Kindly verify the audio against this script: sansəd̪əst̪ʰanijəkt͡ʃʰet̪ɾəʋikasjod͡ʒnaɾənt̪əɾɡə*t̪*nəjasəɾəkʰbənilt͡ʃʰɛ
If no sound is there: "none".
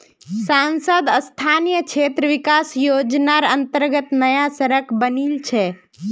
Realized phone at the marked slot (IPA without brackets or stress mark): t̪